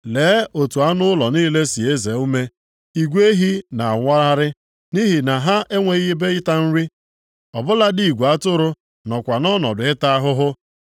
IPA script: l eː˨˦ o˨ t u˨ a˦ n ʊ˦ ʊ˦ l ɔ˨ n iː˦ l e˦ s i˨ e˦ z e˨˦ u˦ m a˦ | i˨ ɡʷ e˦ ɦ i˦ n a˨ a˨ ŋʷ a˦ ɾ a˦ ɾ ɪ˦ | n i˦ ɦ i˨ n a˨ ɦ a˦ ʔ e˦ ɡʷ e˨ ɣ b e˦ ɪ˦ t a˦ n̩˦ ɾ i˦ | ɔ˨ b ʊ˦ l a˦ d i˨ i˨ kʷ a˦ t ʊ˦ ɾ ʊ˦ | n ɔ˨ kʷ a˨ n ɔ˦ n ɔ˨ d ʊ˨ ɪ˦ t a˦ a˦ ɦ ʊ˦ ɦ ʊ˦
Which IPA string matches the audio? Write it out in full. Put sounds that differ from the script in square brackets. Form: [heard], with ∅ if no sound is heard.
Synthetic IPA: l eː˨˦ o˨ t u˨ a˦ n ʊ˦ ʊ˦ l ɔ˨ n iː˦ l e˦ s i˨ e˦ z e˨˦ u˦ m [e˦] | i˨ ɡʷ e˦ ɦ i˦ n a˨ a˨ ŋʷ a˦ ɾ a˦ ɾ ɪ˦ | n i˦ ɦ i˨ n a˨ ɦ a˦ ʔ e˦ [ŋʷ] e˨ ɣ b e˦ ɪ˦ t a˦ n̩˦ ɾ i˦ | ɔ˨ b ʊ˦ l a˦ d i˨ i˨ [ɡʷ] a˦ t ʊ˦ ɾ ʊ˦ | n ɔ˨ kʷ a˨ n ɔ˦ n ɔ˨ d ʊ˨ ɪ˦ t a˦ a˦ ɦ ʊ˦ ɦ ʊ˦

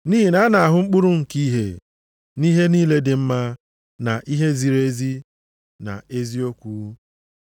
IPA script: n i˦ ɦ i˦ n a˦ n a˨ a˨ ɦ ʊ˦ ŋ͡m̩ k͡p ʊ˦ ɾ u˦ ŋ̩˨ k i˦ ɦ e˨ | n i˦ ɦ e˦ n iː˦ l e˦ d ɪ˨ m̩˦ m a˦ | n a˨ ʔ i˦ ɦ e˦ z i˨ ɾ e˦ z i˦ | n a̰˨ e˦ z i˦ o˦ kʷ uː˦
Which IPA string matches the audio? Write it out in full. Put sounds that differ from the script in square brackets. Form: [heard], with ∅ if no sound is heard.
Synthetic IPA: n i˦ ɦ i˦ n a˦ n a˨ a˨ ɦ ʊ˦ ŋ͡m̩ k͡p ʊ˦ ɾ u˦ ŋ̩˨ k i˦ ɦ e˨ | n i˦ ɦ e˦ n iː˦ l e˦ d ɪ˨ m̩˦ m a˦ | n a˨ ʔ i˦ ɦ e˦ z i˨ ɾ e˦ z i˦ | n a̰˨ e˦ z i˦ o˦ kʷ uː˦

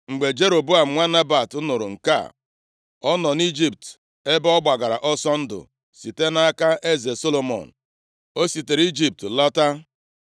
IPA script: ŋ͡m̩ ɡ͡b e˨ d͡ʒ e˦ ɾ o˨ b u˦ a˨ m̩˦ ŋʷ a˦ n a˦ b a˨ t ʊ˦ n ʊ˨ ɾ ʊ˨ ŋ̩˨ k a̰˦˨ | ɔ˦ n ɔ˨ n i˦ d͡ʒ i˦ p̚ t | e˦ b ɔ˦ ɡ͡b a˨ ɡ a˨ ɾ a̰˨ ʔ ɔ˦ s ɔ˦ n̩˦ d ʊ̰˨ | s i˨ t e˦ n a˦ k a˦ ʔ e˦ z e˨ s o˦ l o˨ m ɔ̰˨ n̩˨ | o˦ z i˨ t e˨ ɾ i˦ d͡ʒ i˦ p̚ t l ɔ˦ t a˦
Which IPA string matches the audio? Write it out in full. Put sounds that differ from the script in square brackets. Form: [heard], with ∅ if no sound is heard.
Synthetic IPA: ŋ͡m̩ ɡ͡b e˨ d͡ʒ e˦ ɾ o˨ b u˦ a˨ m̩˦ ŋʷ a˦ n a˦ b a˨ t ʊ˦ n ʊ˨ ɾ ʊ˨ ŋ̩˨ k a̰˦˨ | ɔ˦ n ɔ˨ n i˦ d͡ʒ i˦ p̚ t | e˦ b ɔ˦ ɡ͡b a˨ ɡ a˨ ɾ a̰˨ ʔ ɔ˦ s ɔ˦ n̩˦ d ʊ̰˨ | s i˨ t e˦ n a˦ k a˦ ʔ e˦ z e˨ s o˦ l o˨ m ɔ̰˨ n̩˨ | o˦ [s] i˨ t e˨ ɾ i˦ d͡ʒ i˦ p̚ t l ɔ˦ t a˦

